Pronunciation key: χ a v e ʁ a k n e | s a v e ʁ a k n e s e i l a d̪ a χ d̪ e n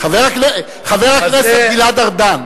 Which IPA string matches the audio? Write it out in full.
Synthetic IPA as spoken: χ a v e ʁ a k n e | χ a v e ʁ a k n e s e i l a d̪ a ʁ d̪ a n